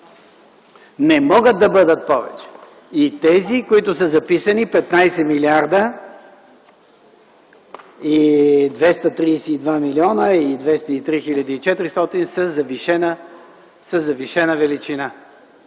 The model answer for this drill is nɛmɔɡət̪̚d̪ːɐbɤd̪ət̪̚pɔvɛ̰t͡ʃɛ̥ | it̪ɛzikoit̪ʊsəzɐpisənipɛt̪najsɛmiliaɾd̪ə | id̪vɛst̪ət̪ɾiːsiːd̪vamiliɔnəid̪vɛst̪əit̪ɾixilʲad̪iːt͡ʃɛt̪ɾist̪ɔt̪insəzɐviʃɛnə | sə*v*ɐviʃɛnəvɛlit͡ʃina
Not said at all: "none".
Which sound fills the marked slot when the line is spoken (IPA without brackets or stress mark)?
z